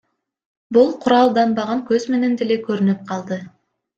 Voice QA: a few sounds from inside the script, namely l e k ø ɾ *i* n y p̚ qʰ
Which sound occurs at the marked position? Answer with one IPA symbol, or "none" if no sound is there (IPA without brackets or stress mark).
y